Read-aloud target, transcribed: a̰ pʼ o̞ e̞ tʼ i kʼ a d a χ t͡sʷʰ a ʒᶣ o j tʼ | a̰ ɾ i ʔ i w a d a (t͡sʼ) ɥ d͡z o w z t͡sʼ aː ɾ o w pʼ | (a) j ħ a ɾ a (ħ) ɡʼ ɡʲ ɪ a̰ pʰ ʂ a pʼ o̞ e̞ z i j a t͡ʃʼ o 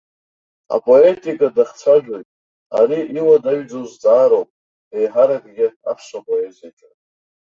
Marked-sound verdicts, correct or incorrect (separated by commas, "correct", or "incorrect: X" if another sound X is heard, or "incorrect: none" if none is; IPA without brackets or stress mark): incorrect: none, incorrect: e, incorrect: none